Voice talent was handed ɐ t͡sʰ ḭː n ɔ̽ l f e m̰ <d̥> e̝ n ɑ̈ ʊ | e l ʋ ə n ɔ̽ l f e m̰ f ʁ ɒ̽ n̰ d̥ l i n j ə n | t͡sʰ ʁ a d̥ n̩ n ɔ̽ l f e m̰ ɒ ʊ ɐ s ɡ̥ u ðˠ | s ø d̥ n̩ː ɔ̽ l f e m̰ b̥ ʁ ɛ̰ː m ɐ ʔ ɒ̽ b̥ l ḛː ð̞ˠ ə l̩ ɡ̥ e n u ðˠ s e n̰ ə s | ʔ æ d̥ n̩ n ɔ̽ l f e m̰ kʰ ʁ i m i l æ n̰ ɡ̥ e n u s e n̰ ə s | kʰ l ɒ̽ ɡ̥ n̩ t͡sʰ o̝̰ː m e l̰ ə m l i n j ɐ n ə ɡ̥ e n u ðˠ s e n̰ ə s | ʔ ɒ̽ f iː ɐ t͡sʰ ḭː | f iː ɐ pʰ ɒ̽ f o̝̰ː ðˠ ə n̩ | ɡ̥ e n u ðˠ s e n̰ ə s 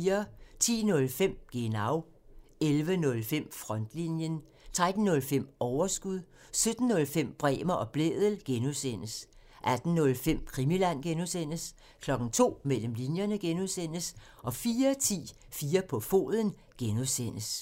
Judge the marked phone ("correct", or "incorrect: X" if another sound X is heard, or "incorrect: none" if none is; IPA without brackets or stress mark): incorrect: ɡ̥